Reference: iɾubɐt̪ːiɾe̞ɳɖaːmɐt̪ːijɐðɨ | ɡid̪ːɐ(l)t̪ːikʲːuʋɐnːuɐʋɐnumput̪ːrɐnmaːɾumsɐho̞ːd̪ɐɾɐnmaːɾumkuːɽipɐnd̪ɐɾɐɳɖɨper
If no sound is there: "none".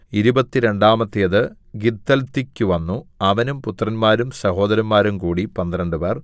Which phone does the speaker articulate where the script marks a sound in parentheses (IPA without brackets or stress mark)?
l